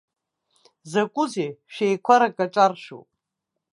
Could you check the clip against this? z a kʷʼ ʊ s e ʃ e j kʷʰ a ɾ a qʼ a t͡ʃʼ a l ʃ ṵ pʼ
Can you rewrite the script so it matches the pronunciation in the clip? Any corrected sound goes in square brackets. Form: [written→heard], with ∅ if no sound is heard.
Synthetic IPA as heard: z a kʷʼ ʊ [s→z] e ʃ e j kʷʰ a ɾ a [qʼ→kʼ] a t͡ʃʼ a [l→r] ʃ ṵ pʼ